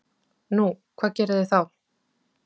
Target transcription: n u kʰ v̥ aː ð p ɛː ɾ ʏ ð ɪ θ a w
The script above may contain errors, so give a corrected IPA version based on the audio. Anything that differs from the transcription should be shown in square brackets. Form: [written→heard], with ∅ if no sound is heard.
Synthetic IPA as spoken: n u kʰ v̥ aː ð [p→c] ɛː ɾ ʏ ð ɪ θ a w

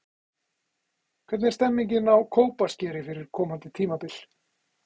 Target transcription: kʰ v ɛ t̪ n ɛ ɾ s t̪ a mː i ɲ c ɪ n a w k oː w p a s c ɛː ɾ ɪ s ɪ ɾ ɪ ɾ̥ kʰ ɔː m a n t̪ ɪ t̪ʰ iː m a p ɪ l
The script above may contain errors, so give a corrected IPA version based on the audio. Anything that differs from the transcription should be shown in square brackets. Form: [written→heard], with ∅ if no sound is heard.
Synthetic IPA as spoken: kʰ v ɛ t̪ n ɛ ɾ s t̪ [a→ɛ] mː i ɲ c ɪ n a w [k→kʰ] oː w p a s c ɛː ɾ ɪ [s→f] ɪ ɾ ɪ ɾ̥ kʰ ɔː m a n t̪ ɪ t̪ʰ iː m a p ɪ l

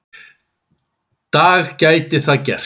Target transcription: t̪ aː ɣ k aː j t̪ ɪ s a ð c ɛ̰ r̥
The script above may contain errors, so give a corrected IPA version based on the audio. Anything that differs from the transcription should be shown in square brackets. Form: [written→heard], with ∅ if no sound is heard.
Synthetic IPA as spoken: t̪ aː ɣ [k→c] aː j t̪ ɪ [s→θ] a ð c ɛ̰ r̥

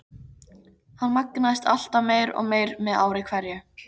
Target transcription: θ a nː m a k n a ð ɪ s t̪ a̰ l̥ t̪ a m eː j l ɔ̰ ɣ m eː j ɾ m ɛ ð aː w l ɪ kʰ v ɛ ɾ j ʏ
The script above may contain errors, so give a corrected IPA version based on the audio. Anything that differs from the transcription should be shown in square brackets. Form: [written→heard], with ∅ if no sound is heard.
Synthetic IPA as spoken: [θ→h] a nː m a k n a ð ɪ s t̪ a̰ l̥ t̪ a m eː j [l→ɾ] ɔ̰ ɣ m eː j ɾ m ɛ ð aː w [l→ɾ] ɪ kʰ v ɛ ɾ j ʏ

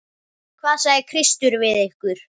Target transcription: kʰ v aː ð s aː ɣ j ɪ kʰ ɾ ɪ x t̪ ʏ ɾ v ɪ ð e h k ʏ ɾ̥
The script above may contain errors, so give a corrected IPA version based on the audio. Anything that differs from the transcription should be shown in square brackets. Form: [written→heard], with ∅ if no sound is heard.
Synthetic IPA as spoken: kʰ v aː ð s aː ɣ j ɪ kʰ ɾ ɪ [x→s] t̪ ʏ ɾ v ɪ ð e h k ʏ ɾ̥

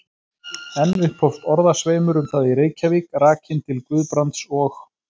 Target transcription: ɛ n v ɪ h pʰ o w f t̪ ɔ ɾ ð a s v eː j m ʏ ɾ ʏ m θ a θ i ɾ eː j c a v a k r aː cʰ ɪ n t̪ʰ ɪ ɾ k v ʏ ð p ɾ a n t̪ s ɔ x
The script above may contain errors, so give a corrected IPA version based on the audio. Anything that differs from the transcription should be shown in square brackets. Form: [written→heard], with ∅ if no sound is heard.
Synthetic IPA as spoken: ɛ n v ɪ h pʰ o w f t̪ ɔ ɾ ð a s v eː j m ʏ ɾ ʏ m θ a [θ→ð] i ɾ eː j c a v [a→i] k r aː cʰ ɪ n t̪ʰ ɪ [ɾ→l] k v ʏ ð p ɾ a n t̪ s ɔ x

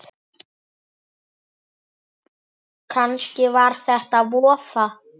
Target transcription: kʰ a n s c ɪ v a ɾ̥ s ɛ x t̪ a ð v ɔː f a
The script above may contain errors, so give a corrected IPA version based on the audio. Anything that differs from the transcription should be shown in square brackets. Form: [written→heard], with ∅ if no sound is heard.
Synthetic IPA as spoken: kʰ a n s c ɪ v a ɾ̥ [s→θ] ɛ [x→h] t̪ a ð v ɔː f a

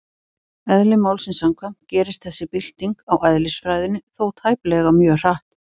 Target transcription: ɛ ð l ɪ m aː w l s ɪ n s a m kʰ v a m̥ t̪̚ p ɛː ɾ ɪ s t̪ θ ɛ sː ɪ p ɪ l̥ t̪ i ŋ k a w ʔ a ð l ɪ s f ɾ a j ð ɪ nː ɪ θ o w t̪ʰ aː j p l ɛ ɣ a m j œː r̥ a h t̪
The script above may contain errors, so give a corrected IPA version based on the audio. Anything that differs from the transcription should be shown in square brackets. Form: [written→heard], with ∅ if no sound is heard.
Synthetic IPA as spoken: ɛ ð l ɪ m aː w l s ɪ n s a m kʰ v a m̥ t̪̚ [p→c] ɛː ɾ ɪ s t̪ θ ɛ sː ɪ p ɪ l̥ t̪ i ŋ k a w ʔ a ð l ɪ s f ɾ a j ð ɪ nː ɪ θ o w t̪ʰ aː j p l ɛ ɣ a m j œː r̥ a h t̪

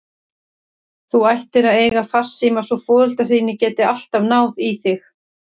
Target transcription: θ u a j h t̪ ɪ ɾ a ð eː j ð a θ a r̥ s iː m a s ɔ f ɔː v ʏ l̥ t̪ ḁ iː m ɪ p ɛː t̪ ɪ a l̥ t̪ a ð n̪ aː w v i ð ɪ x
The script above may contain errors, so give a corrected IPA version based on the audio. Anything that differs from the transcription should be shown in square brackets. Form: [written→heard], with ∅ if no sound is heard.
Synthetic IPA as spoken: θ u a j h t̪ ɪ ɾ a ð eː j [ð→ɣ] a θ a r̥ s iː m a s ɔ f ɔː [v→ð] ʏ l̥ t̪ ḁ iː [m→n] ɪ [p→c] ɛː t̪ ɪ a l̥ t̪ a [ð→v] n̪ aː w [v→ð] i [ð→θ] ɪ x

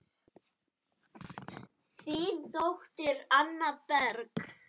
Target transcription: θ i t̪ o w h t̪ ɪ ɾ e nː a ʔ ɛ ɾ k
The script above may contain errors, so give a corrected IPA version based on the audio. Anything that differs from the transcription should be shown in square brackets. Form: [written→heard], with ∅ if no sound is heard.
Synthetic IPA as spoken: θ i t̪ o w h t̪ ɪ ɾ [e→a] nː a [ʔ→p] ɛ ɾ k

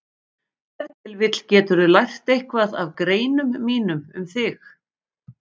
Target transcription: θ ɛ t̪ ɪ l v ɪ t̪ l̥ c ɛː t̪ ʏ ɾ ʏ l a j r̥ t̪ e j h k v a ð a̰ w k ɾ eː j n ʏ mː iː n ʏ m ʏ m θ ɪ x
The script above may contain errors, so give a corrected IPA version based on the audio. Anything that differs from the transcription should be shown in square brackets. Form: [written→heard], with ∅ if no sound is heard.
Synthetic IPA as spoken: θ ɛ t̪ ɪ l v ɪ t̪ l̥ c ɛː t̪ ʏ ɾ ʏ l a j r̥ t̪ e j h k v a ð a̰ [w→v] k ɾ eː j n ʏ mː iː n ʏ m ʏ m θ ɪ x

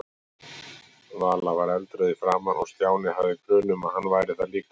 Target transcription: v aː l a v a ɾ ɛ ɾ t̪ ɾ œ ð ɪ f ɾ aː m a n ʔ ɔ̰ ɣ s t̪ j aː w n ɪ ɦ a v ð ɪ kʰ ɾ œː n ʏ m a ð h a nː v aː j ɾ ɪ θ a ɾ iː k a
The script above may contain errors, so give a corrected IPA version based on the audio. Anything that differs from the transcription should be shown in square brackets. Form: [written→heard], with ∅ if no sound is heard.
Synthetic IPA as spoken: v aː l a v a ɾ ɛ [ɾ→l] t̪ ɾ œ ð ɪ f ɾ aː m a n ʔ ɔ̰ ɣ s t̪ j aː w n ɪ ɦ a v ð ɪ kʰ ɾ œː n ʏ m a ð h a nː v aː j ɾ ɪ θ a [ɾ→l] iː k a

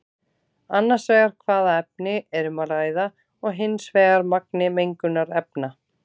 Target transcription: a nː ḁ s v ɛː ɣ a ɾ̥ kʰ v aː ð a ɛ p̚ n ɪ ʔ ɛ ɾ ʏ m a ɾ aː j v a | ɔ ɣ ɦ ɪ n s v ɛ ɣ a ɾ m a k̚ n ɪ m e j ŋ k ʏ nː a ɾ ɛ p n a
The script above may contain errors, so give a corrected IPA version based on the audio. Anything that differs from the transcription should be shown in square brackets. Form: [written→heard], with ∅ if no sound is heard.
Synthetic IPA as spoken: a nː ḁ s v ɛː ɣ a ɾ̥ kʰ v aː ð a ɛ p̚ n ɪ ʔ ɛ ɾ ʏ m a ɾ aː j [v→ð] a | ɔ ɣ ɦ ɪ n s v [ɛ→ɛː] ɣ a ɾ m a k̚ n ɪ m e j ŋ k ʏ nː a ɾ ɛ p n a

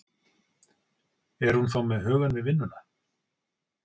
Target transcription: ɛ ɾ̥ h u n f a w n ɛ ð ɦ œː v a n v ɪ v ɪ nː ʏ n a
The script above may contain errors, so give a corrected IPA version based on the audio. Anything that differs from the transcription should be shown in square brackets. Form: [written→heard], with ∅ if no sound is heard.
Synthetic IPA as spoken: ɛ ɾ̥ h u n [f→θ] a w [n→m] ɛ ð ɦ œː [v→ɣ] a n v ɪ v ɪ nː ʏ n a

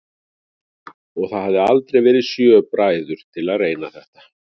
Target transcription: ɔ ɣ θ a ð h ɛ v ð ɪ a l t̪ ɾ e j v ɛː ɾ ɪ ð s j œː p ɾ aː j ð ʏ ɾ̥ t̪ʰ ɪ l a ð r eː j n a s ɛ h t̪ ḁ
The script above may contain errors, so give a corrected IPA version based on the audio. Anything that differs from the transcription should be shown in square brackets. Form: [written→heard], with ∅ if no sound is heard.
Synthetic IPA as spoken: ɔ ɣ θ a ð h [ɛ→a] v ð ɪ a l t̪ ɾ e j v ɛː ɾ ɪ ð s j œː p ɾ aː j ð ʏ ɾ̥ t̪ʰ ɪ l a ð r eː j n a [s→θ] ɛ h t̪ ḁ

